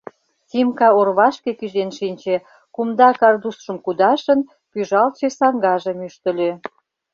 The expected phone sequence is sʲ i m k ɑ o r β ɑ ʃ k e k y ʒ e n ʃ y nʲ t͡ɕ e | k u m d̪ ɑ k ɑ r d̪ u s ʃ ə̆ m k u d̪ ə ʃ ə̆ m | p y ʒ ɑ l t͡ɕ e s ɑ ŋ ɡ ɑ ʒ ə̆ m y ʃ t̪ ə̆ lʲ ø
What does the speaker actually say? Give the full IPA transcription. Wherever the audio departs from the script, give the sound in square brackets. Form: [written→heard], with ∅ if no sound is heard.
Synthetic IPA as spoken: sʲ i m k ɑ o r β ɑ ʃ k e k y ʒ e n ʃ [y→i] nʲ t͡ɕ e | k u m d̪ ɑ k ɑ r d̪ u s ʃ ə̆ m k u d̪ [ə→ɑ] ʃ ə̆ [m→n] | p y ʒ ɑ l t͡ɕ e s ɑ ŋ ɡ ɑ ʒ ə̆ m y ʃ t̪ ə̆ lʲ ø